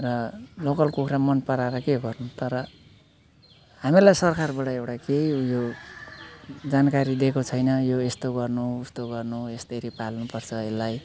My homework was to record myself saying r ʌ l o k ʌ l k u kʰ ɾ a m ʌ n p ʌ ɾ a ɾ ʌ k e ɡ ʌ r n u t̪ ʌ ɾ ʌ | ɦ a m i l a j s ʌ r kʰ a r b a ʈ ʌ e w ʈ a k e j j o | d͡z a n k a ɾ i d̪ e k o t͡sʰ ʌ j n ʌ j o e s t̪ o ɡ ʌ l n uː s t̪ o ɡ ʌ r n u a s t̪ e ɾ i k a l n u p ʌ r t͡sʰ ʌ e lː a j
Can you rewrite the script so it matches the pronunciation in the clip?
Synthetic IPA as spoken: r ʌ l o k ʌ l k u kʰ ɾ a m ʌ n p ʌ ɾ a ɾ ʌ k e ɡ ʌ r n u t̪ ʌ ɾ ʌ | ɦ a m i l a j s ʌ r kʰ a r b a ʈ ʌ e w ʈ a k e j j o | d͡z a n k a ɾ i d̪ e k o t͡sʰ ʌ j n ʌ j o e s t̪ o ɡ ʌ r n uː s t̪ o ɡ ʌ r n u e s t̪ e ɾ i p a l n u p ʌ r t͡sʰ ʌ e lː a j